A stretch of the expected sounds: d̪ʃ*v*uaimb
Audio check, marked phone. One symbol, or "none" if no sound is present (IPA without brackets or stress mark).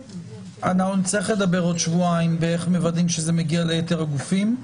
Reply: v